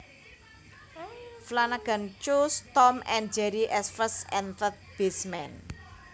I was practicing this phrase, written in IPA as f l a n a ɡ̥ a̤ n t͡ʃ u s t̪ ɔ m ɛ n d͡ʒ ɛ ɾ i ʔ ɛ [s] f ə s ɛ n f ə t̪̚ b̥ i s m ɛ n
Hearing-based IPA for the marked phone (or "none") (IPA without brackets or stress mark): s